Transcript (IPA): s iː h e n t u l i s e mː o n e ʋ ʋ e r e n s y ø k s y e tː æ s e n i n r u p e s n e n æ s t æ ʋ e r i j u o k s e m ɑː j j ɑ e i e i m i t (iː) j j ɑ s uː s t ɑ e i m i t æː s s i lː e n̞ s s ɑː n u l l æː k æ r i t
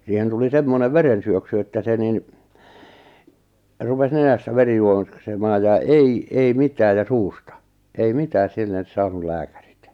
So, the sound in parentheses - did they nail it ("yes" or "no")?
no